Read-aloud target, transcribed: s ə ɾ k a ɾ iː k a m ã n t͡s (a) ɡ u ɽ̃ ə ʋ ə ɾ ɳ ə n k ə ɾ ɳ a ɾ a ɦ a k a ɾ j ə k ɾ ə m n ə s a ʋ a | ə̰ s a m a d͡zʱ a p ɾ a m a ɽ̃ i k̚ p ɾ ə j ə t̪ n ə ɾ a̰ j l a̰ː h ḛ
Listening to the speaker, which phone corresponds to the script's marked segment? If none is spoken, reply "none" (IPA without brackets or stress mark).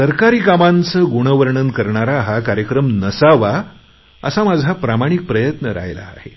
ə